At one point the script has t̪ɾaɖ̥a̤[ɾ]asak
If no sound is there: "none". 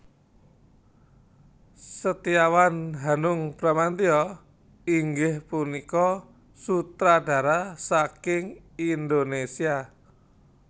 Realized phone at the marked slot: ɾ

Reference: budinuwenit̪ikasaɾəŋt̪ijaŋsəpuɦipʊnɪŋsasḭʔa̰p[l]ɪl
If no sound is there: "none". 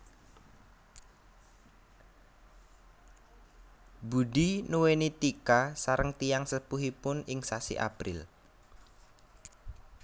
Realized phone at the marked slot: ɾ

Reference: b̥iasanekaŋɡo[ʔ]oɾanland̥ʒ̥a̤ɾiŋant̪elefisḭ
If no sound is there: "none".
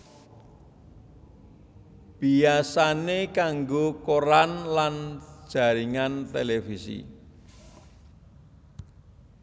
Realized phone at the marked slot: k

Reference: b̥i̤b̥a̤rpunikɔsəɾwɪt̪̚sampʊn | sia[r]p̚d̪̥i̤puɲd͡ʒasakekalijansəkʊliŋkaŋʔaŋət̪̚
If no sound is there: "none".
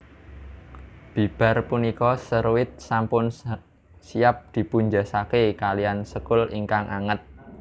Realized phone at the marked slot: none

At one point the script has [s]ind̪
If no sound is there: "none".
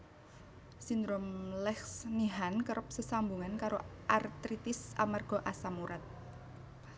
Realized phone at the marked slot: s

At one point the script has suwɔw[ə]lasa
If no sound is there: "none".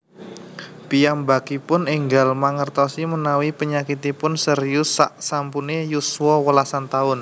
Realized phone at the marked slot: ə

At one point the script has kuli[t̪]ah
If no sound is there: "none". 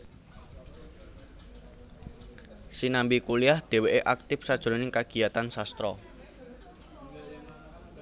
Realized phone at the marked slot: none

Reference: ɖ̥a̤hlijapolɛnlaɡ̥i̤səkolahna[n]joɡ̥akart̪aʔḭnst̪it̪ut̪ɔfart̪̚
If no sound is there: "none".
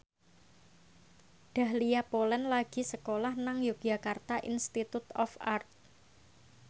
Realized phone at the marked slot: ŋ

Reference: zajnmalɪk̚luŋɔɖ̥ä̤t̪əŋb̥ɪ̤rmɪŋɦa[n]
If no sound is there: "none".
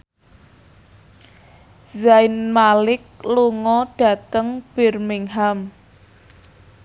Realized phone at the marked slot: m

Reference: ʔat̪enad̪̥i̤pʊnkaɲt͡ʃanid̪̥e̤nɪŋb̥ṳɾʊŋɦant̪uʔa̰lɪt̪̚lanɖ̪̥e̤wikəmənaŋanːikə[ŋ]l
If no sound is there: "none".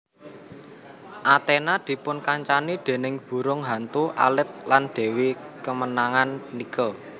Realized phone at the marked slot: none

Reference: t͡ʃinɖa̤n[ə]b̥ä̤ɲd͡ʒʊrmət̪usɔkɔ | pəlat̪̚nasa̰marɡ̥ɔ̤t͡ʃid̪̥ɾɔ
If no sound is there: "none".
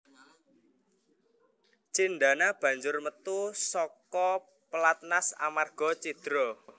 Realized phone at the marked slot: a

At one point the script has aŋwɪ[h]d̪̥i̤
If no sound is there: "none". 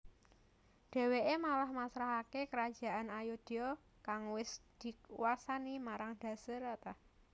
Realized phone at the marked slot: s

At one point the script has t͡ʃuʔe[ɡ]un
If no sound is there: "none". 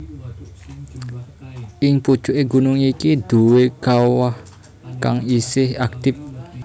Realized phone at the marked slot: ɡ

